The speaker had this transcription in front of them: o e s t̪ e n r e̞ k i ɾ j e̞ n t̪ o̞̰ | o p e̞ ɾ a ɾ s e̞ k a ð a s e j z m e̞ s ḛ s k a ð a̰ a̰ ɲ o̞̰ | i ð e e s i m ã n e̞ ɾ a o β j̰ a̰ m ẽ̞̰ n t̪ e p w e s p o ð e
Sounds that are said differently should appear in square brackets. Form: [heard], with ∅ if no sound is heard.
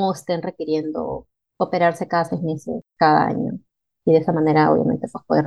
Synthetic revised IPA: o e s t̪ e n r e̞ k i ɾ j e̞ n [d̪] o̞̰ | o p e̞ ɾ a ɾ s e̞ k a ð a s e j z m e̞ s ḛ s k a ð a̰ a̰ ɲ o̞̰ | i ð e e s [a] m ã n e̞ ɾ a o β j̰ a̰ m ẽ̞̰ n t̪ e p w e s p o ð e